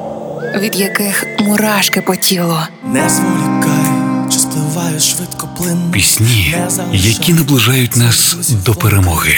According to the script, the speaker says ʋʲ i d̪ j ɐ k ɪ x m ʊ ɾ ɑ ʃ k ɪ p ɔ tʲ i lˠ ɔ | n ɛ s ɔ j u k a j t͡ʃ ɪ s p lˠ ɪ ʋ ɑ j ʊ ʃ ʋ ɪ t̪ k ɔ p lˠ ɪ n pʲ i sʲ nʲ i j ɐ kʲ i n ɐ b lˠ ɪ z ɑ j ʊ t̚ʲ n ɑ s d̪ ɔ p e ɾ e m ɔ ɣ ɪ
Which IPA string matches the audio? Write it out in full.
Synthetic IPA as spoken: ʋʲ i d̪ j ɐ k ɪ x m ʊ ɾ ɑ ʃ k ɪ p ɔ tʲ i lˠ ɔ | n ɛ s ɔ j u k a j t͡ʃ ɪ s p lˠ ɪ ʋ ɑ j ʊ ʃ ʋ ɪ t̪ k ɔ p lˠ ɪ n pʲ i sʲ nʲ i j ɐ kʲ i n ɐ b lˠ ɪ ʒ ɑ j ʊ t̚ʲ n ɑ s d̪ ɔ p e ɾ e m ɔ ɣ ɪ